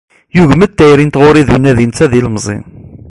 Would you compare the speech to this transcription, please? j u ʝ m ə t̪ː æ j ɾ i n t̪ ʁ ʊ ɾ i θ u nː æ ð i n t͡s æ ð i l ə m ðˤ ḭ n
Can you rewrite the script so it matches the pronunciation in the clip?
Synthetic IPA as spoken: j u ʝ m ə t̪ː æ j ɾ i n t̪ ʁ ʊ ɾ i ð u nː æ ð i n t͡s æ ð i l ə m zˤ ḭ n